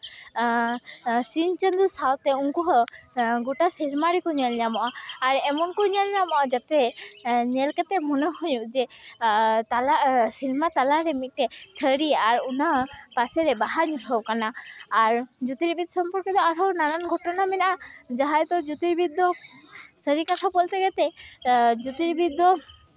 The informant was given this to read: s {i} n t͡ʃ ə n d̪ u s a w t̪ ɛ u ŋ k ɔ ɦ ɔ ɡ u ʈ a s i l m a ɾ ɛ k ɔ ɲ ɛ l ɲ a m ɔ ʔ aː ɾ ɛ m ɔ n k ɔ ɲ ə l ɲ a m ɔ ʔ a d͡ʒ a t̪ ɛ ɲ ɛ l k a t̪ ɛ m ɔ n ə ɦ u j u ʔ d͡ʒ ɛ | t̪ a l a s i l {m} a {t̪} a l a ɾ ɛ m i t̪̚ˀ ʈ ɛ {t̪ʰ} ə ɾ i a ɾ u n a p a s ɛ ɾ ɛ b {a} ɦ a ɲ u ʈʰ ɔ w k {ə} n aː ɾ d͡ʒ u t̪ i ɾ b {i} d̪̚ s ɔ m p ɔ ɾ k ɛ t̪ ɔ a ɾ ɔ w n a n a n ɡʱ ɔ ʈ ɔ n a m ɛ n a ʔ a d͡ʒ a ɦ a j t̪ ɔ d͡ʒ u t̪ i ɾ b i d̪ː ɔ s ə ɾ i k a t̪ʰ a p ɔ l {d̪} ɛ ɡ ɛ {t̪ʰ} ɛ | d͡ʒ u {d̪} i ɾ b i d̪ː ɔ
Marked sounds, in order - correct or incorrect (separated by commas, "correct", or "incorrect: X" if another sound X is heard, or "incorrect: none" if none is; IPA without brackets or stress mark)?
correct, correct, correct, correct, correct, incorrect: a, correct, incorrect: t̪, incorrect: t̪, incorrect: t̪